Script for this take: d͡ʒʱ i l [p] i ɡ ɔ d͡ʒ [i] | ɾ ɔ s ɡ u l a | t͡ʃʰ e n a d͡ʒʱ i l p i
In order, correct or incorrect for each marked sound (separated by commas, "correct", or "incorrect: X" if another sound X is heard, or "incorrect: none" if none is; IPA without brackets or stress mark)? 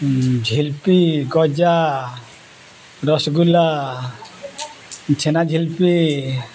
correct, incorrect: a